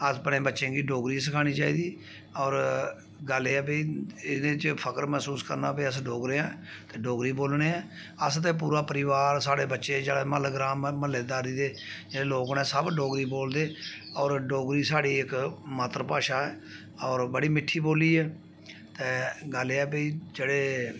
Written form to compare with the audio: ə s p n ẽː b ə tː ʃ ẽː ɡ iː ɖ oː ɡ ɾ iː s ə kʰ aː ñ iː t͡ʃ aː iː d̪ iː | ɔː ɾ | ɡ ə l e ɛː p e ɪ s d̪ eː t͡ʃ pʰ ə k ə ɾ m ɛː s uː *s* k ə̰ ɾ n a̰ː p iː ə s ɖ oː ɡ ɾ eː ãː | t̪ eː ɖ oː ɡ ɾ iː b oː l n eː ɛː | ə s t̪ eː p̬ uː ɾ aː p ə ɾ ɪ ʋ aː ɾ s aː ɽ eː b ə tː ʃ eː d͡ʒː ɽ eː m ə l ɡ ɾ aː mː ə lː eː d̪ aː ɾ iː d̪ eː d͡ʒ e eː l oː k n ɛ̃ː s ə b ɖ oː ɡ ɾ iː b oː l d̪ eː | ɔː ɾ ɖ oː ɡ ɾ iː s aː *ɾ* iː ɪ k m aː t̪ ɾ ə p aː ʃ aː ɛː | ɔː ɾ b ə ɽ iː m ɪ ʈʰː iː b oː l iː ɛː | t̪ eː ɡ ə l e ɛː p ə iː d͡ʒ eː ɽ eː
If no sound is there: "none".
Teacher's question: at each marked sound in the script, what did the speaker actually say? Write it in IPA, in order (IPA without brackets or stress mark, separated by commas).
s, ɽ